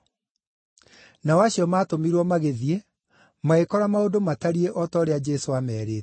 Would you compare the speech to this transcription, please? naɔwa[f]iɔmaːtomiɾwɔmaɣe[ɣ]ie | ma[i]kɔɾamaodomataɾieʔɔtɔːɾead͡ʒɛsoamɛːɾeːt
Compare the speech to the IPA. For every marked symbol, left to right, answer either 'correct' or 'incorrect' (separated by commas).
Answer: incorrect, incorrect, incorrect